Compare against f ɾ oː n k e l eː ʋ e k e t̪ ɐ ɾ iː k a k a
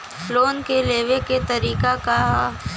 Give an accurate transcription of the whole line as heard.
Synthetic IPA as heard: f l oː n k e l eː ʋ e k e t̪ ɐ ɾ iː k a k a